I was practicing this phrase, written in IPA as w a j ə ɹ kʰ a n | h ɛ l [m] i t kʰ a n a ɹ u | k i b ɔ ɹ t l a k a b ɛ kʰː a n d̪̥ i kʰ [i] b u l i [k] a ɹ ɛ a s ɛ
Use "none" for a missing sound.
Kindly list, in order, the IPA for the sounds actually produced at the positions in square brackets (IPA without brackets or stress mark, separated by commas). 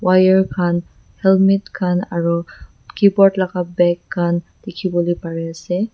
m, i, p